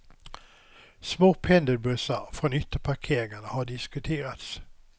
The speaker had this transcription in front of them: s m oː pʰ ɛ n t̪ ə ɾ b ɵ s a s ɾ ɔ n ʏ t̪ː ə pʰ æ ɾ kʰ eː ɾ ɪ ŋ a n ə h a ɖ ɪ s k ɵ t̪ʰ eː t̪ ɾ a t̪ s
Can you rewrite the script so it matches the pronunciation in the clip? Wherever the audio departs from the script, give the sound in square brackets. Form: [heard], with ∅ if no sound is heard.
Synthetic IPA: s m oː pʰ ɛ n [d̪] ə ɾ b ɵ s a [f] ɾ ɔ n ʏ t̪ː ə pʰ [a] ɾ kʰ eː ɾ ɪ ŋ a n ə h a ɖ ɪ s k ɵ t̪ʰ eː [∅] ɾ a t̪ s